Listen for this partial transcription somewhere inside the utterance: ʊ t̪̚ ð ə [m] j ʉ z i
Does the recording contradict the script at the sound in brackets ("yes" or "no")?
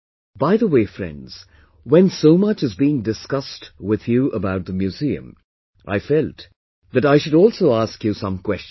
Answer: no